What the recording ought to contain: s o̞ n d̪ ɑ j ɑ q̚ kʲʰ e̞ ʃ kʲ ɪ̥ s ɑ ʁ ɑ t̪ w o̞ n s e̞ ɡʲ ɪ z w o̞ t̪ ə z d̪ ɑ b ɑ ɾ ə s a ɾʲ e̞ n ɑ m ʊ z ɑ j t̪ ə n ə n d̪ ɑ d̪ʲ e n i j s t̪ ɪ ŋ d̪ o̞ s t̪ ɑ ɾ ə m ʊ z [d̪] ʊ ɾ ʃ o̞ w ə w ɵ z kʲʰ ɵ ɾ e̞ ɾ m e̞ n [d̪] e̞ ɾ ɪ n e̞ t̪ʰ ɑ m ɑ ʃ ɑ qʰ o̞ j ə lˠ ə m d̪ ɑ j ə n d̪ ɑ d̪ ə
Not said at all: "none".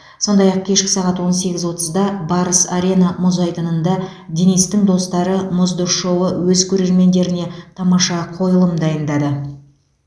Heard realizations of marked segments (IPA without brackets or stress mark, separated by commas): d̪, d̪